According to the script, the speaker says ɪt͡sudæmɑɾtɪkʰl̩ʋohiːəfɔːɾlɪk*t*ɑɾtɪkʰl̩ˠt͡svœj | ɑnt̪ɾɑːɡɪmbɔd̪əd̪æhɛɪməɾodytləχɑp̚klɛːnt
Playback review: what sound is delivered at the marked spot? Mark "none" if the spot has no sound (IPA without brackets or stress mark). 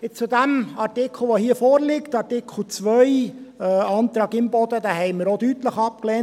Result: t